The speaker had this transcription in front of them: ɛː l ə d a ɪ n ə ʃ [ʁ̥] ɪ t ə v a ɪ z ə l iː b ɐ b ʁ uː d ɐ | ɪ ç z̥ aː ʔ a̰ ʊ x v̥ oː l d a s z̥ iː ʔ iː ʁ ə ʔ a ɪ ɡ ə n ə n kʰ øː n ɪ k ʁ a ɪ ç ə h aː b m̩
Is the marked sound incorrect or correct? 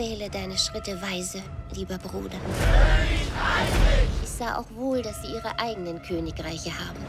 correct